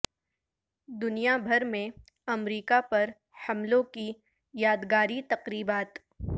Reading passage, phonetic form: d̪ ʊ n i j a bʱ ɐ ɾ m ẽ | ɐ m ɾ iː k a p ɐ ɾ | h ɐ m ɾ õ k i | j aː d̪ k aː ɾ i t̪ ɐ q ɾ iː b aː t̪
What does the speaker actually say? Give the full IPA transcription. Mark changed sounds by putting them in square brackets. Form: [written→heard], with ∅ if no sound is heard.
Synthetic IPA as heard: d̪ ʊ n i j a bʱ ɐ ɾ m ẽ | ɐ m ɾ iː k a p ɐ ɾ | h ɐ m [ɾ→l] õ k i | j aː d̪ [k→ɡ] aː ɾ i t̪ ɐ q ɾ iː b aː t̪